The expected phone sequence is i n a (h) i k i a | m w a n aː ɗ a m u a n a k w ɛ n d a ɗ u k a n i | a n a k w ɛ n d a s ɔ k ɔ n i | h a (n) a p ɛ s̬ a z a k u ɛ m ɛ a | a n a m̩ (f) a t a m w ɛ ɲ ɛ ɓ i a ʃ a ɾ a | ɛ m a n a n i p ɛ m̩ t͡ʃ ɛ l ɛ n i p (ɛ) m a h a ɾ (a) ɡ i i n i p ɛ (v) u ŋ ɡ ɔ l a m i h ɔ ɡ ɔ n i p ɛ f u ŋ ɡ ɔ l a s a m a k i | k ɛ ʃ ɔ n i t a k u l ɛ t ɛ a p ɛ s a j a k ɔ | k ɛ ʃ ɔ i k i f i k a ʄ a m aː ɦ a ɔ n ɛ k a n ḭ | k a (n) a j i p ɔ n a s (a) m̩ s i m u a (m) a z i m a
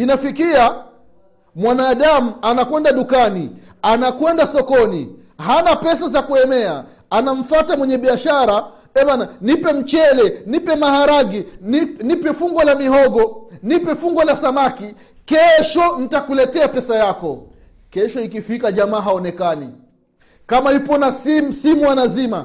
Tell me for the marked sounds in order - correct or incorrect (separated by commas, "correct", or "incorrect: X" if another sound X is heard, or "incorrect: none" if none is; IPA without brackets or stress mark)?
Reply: incorrect: f, correct, correct, correct, correct, incorrect: f, incorrect: m, incorrect: i, incorrect: n